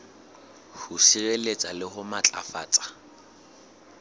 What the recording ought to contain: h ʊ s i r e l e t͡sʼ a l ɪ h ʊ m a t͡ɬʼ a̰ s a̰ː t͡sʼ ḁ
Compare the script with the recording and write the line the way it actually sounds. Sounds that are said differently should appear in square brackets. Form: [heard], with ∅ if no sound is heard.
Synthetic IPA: h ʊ s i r e l e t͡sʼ a l ɪ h ʊ m a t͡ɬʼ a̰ [f] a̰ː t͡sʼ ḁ